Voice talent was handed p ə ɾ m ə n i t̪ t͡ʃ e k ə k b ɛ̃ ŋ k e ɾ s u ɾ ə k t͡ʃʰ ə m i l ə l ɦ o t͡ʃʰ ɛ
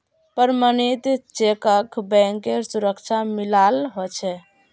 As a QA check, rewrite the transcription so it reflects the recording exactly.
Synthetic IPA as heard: p ə ɾ m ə n i t̪ t͡ʃ e k ə k b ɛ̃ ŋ k e ɾ s u ɾ ə k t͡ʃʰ a m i l a l ɦ o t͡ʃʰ ɛ